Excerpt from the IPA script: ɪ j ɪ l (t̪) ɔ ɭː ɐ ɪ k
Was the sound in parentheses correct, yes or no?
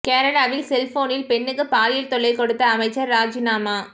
yes